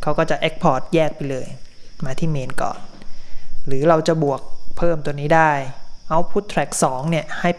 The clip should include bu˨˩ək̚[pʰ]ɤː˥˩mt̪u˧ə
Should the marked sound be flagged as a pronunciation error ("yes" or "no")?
no